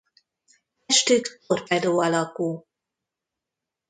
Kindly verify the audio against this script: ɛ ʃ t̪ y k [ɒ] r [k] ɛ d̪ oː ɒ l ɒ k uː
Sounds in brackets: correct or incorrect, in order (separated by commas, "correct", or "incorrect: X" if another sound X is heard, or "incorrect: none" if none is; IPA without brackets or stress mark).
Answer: incorrect: o, incorrect: p